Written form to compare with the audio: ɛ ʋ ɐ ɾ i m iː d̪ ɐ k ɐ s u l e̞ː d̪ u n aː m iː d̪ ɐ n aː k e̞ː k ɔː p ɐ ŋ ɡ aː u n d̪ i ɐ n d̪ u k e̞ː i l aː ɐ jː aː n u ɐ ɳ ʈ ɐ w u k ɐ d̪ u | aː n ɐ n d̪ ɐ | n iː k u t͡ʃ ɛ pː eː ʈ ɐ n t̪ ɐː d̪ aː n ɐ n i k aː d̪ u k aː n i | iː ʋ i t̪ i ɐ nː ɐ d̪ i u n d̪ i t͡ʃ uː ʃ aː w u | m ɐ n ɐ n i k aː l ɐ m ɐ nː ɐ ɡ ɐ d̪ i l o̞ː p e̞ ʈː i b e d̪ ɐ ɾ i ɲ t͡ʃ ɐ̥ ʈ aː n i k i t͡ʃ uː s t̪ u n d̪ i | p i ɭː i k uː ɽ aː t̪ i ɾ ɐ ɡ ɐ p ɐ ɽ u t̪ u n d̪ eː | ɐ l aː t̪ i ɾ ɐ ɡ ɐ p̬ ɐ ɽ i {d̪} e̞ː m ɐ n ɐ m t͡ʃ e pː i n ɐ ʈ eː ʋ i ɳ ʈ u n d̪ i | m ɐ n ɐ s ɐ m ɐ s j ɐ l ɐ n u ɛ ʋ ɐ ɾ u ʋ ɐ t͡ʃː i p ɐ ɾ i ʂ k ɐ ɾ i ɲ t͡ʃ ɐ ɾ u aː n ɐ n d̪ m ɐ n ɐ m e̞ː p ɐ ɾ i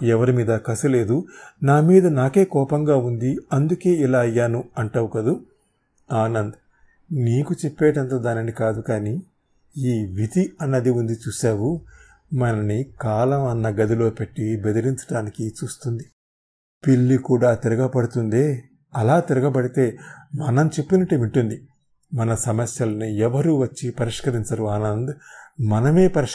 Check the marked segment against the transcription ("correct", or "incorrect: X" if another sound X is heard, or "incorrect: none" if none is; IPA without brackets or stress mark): incorrect: t̪